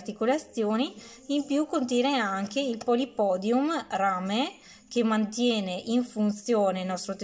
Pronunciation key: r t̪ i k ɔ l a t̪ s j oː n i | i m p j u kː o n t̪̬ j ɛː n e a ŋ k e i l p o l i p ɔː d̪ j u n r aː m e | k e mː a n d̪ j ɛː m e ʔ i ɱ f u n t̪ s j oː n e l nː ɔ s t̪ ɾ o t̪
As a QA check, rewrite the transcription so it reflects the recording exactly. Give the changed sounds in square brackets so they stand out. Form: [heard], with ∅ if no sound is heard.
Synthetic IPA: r t̪ i k [o] l a t̪ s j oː n i | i m p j u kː o n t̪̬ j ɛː n e a ŋ k e i l p o l i p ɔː d̪ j u [m] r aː m e | k e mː a n [t̪] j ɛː [n] e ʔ i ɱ f u n t̪ s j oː n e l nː ɔ s t̪ ɾ o t̪